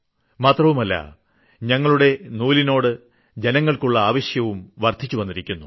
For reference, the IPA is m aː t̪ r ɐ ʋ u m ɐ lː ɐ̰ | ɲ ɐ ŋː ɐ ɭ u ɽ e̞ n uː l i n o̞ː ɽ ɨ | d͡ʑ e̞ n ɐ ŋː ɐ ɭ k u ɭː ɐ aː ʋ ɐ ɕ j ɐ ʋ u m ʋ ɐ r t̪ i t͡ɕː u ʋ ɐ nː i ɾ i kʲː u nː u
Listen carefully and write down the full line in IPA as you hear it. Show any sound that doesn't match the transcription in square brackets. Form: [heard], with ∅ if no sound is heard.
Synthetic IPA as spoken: m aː t̪ r ɐ ʋ u m ɐ lː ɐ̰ | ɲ ɐ ŋː ɐ ɭ u ɽ e̞ n uː l i n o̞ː ɽ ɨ | d͡ʑ e̞ n ɐ ŋː ɐ ɭ k u ɭː ɐ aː ʋ ɐ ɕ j ɐ ʋ u m ʋ ɐ r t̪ i t͡ɕː u ʋ ɐ nː i ɾ i kʲː u nː u